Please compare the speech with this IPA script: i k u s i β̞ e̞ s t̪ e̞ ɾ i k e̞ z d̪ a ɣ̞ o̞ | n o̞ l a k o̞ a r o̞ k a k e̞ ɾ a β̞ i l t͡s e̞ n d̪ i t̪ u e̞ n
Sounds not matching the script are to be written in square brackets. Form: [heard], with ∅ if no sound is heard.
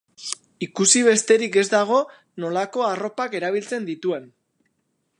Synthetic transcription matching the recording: i k u s i β̞ e̞ s t̪ e̞ ɾ i k e̞ z d̪ a ɣ̞ o̞ | n o̞ l a k o̞ a r o̞ [p] a k e̞ ɾ a β̞ i l t͡s e̞ n d̪ i t̪ u e̞ n